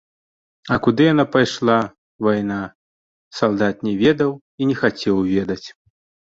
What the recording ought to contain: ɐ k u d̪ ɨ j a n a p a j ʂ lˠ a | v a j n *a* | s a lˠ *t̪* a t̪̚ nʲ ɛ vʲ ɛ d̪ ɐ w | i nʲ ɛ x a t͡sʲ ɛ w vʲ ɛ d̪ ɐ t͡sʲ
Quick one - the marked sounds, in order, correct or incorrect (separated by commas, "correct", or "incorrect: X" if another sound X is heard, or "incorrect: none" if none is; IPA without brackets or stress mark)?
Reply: correct, incorrect: d̪